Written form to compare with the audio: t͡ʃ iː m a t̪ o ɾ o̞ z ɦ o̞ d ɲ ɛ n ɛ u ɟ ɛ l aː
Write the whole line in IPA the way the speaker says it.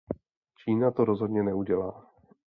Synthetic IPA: t͡ʃ iː n a t̪ o ɾ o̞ z ɦ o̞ d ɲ ɛ n ɛ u ɟ ɛ l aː